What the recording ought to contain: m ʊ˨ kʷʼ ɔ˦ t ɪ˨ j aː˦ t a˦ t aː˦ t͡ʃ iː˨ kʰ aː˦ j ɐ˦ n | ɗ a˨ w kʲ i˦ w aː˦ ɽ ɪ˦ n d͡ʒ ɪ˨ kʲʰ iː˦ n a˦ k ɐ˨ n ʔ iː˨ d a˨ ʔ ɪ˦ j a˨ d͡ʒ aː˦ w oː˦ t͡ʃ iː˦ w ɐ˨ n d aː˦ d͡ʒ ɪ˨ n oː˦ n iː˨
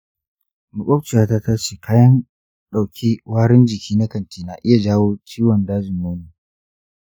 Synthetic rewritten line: m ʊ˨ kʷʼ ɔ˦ t͡ʃ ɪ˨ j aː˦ t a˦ t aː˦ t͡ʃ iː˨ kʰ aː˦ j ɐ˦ n | ɗ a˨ w kʲ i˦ w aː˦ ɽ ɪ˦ n d͡ʒ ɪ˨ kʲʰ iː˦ n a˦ k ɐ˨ n t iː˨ n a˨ ʔ ɪ˦ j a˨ d͡ʒ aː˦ w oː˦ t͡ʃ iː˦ w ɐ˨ n d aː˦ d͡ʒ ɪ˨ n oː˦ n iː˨

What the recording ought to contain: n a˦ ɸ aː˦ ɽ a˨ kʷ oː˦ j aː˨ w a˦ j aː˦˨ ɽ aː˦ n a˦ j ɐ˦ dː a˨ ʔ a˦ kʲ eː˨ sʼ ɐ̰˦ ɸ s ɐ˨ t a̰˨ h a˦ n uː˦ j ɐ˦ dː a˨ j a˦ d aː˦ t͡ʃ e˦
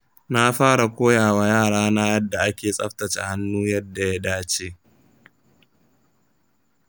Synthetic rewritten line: n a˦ ɸ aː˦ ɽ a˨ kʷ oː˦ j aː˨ w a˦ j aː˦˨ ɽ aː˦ n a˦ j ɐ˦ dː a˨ ʔ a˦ kʲ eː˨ sʼ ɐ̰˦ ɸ t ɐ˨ t͡ʃ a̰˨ h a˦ nː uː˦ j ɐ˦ dː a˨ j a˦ d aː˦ t͡ʃ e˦

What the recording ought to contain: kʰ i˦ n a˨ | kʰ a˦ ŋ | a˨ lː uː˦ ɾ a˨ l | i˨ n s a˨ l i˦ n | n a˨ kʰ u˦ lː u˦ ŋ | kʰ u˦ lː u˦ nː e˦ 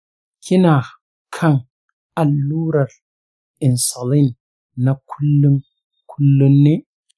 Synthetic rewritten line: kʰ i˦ n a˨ | kʰ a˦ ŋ | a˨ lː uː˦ ɾ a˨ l | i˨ n s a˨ l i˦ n | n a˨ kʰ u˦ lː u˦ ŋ | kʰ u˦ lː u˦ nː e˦

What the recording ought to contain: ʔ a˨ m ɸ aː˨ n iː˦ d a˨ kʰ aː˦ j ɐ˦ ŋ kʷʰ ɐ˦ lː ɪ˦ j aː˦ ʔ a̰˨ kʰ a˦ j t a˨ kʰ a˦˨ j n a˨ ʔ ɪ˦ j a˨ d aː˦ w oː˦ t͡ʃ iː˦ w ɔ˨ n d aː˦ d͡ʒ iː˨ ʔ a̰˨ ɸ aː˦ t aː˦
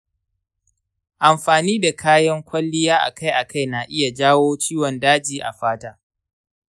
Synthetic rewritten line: ʔ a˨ m ɸ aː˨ n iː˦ d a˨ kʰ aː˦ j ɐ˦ ŋ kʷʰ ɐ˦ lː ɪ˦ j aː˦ ʔ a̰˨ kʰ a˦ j ʔ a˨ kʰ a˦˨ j n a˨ ʔ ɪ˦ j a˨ d͡ʒ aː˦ w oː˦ t͡ʃ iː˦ w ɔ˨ n d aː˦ d͡ʒ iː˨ ʔ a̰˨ ɸ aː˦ t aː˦

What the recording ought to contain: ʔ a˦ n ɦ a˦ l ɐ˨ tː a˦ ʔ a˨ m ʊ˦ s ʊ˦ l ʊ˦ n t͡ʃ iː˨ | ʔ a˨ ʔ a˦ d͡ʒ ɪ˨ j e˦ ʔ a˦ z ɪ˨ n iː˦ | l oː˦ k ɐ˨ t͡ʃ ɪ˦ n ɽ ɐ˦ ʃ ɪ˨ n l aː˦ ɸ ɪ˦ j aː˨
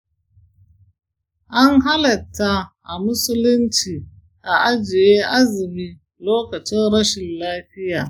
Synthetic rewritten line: ʔ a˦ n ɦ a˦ l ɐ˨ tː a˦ ʔ a˨ m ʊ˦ s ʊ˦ l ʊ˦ n t͡ʃ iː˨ | ʔ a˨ ʔ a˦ d͡ʒ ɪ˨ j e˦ ʔ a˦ z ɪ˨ m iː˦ | l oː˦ k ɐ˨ t͡ʃ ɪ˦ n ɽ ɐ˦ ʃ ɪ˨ n l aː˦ ɸ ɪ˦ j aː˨

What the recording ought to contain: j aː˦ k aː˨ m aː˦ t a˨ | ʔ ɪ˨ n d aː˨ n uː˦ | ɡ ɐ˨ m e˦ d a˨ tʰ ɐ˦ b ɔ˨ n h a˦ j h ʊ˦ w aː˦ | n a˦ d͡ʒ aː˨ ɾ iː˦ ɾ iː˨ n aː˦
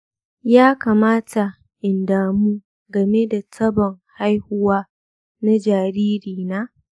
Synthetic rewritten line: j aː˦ k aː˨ m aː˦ t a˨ | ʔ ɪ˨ n d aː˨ m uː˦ | ɡ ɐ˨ m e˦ d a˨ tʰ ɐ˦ b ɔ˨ ŋ h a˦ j h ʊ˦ w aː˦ | n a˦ d͡ʒ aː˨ ɾ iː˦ ɾ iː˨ n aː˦

